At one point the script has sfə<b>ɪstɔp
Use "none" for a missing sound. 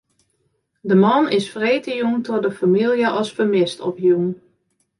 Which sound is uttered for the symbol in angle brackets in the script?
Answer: m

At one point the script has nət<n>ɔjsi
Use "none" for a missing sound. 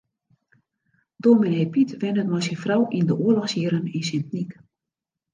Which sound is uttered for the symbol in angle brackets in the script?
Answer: m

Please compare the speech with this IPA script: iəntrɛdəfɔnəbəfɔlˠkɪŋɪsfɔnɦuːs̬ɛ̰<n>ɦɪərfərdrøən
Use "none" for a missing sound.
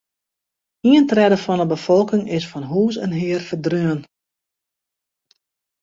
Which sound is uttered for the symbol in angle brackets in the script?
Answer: n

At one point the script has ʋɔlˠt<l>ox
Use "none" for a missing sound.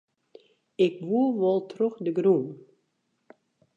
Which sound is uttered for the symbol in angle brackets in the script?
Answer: r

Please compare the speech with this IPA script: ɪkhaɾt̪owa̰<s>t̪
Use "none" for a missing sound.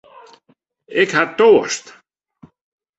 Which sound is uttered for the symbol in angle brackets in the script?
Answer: s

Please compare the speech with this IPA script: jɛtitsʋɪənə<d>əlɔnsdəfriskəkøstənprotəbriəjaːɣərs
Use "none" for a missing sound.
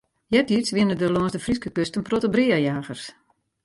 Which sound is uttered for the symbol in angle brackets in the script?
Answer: d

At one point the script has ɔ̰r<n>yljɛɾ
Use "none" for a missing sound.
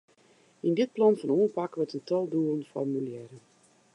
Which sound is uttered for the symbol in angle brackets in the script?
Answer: m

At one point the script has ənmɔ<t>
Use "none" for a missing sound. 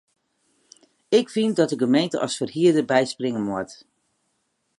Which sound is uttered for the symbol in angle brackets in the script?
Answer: t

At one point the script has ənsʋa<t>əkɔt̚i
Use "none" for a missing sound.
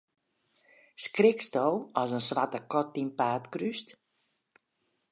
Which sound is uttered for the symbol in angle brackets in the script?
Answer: t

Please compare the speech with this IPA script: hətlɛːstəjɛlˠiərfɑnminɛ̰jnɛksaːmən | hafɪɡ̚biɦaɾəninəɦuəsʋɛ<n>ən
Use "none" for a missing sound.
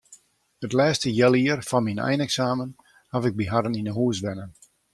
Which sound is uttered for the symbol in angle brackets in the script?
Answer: n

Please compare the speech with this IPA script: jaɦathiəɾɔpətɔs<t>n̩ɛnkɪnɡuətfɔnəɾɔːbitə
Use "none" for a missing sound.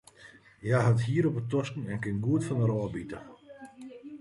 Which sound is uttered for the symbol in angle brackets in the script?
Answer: k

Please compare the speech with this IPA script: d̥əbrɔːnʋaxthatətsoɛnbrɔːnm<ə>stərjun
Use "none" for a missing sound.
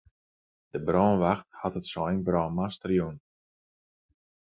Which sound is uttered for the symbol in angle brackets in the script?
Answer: a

